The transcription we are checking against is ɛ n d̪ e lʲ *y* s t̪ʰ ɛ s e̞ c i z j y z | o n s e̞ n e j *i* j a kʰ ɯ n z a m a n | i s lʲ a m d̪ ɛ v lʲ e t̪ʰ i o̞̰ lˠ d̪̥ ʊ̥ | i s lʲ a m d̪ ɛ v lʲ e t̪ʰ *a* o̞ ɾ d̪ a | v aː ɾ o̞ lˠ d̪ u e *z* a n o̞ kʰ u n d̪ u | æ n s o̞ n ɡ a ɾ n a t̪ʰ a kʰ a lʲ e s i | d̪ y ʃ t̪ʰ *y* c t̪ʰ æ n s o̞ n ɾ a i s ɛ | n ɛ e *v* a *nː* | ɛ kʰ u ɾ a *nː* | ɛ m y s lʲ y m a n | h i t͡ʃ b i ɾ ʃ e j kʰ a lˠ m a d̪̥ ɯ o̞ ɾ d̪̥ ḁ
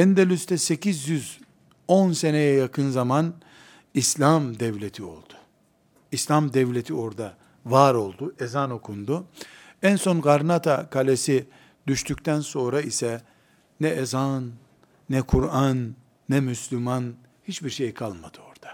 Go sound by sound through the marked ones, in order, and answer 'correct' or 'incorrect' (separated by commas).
correct, incorrect, incorrect, correct, correct, incorrect, correct, correct